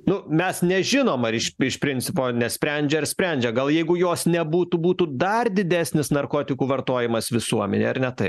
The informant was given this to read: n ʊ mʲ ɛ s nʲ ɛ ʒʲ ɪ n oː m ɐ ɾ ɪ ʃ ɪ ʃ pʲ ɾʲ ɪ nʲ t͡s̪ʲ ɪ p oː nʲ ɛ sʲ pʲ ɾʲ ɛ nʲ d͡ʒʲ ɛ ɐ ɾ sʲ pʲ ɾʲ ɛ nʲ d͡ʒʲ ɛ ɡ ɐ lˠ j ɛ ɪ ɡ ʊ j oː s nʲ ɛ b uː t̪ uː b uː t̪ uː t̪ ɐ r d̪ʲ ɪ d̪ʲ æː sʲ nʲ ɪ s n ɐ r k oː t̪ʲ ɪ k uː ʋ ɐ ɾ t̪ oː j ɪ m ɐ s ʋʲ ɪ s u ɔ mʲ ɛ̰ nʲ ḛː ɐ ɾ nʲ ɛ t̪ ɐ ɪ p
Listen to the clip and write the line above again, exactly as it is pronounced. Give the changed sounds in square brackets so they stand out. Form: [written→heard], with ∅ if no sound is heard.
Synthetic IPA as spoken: n ʊ mʲ ɛ s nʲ ɛ ʒʲ ɪ n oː m ɐ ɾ ɪ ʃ ɪ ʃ pʲ ɾʲ ɪ nʲ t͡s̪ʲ ɪ p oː nʲ ɛ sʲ pʲ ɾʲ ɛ nʲ d͡ʒʲ ɛ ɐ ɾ sʲ pʲ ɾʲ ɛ nʲ d͡ʒʲ ɛ ɡ ɐ lˠ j ɛ ɪ ɡ ʊ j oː s nʲ ɛ b uː t̪ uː b uː t̪ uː [t̪→d̪] ɐ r d̪ʲ ɪ d̪ʲ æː sʲ nʲ ɪ s n ɐ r k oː t̪ʲ ɪ k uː ʋ ɐ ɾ t̪ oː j ɪ m ɐ s ʋʲ ɪ s u ɔ mʲ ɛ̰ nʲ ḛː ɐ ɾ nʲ ɛ t̪ ɐ ɪ p